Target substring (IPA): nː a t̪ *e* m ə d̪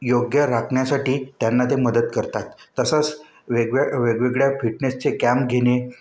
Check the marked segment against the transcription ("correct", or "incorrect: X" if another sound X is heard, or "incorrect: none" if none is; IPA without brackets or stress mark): correct